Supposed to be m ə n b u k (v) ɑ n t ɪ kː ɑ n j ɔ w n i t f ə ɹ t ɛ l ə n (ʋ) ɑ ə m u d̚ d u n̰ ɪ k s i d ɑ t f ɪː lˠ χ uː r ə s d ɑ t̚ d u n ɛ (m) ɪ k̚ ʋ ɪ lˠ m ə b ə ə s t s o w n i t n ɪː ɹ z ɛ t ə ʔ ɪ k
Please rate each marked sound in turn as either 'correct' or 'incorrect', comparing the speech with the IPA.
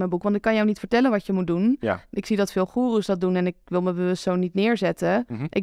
incorrect: ʋ, correct, incorrect: n

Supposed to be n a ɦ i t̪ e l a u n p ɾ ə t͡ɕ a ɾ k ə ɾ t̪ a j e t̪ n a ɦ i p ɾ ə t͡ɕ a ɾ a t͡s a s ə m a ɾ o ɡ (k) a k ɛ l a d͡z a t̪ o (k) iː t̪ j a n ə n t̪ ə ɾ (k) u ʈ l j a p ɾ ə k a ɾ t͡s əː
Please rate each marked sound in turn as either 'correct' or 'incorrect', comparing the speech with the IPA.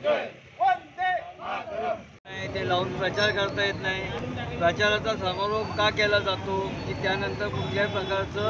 correct, correct, correct

